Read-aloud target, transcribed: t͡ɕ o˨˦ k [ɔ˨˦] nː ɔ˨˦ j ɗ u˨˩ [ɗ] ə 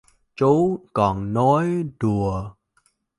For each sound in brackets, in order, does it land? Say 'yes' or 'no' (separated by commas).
no, no